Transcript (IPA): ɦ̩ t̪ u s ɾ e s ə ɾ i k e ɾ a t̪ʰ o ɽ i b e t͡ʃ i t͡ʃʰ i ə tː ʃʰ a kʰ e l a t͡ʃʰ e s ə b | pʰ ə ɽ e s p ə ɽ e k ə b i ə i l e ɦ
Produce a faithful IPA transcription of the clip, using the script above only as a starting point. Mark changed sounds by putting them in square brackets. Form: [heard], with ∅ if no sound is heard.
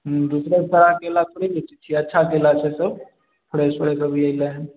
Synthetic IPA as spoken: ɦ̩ [d̪] u s ɾ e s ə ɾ [a] k e [l] a t̪ʰ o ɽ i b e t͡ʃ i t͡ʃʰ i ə tː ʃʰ a [k] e l a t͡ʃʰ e s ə b | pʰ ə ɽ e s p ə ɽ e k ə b i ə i l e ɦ